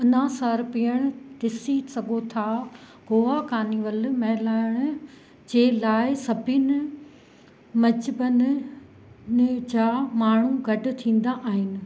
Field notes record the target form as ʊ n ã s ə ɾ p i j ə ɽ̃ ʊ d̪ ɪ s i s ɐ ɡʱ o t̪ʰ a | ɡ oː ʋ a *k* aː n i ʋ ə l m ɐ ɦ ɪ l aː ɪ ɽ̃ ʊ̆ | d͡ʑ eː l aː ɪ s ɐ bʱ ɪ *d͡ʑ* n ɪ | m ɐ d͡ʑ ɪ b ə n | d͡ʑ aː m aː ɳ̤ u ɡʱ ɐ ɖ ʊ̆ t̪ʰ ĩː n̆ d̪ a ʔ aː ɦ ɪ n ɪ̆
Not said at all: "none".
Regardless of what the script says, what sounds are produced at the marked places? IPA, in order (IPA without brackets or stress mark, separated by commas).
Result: k, none